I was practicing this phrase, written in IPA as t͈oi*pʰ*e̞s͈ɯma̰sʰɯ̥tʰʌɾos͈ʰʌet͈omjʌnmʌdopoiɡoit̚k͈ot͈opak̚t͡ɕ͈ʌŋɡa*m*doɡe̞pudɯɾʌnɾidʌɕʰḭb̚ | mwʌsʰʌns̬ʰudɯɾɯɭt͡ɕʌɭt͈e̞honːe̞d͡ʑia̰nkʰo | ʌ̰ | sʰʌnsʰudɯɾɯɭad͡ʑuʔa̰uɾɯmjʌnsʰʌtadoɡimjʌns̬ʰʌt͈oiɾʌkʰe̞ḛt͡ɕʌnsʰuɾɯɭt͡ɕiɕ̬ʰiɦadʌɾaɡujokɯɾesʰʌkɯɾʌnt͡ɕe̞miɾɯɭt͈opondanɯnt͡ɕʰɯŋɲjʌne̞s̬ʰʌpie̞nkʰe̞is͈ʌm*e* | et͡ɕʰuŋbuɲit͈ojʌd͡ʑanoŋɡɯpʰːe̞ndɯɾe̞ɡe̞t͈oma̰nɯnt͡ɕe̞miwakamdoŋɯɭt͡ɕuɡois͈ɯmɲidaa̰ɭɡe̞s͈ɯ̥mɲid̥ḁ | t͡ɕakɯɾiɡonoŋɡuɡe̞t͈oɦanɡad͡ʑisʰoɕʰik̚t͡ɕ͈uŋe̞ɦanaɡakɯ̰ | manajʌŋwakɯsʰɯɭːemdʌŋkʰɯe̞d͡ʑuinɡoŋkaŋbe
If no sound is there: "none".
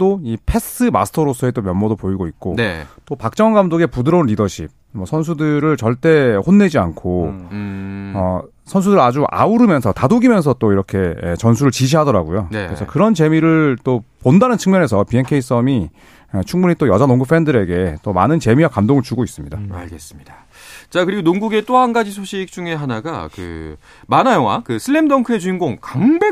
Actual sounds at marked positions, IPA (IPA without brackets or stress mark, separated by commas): pʰ, m, i